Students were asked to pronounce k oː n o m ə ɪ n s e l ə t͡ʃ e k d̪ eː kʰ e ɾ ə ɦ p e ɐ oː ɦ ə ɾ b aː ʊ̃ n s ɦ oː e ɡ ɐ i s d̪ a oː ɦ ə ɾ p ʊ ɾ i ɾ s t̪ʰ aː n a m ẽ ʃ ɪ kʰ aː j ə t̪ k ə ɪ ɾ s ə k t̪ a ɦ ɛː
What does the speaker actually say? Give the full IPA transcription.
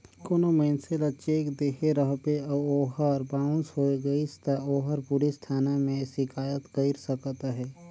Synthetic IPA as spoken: k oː n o m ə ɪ n s e l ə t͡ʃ e k d̪ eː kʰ e ɾ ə ɦ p e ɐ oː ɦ ə ɾ b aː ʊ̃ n s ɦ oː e ɡ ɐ i s t̪ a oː ɦ ə ɾ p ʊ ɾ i s t̪ʰ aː n a m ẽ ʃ ɪ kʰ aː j ə t̪ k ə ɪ ɾ s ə k t̪ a ɦ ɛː